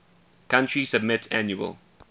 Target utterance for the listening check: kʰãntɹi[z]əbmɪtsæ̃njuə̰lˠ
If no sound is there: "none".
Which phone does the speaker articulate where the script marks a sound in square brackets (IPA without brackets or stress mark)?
s